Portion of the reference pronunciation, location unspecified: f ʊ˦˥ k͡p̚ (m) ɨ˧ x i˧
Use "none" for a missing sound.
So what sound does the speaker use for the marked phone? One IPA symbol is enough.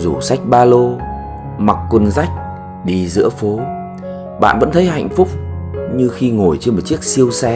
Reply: ɲ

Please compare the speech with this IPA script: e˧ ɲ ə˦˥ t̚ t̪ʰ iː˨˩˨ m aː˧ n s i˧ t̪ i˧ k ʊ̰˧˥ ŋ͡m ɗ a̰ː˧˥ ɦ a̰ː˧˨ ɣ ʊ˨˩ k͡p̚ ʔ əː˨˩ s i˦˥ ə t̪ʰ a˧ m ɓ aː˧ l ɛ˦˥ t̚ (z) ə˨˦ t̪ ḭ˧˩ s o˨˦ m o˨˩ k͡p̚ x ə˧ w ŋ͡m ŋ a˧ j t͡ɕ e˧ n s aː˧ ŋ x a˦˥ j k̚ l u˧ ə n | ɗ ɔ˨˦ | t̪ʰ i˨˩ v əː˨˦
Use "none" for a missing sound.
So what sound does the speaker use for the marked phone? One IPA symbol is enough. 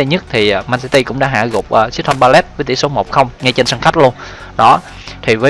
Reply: v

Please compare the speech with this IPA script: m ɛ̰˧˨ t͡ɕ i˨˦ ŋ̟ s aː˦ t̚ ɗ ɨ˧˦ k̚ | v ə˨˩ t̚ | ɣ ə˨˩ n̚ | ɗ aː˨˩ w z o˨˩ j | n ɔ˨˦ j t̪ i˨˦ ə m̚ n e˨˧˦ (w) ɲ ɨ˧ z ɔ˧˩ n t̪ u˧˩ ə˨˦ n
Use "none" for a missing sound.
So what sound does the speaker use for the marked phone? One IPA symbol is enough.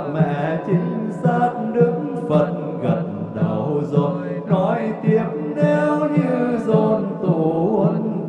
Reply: w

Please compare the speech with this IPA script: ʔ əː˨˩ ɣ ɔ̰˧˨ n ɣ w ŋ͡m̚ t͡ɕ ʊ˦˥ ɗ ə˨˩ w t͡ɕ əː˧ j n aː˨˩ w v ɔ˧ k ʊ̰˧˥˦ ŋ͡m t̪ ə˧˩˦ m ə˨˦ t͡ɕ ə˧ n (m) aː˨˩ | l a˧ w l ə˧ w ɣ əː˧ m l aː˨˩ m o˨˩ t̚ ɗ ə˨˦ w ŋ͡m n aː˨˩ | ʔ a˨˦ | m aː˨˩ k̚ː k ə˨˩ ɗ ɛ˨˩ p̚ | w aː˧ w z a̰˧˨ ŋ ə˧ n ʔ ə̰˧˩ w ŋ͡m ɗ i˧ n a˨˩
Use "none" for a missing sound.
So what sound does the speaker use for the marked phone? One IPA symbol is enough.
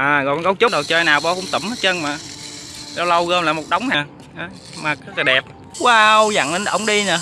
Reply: m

